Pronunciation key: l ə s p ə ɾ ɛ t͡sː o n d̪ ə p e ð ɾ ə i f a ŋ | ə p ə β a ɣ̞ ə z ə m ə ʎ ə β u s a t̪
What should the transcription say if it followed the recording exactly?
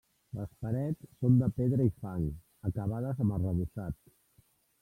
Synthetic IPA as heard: l ə s p ə ɾ ɛ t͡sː o n d̪ ə p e ð ɾ ə i f a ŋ | ə k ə β a ð̞ ə z ə m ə r ə β u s a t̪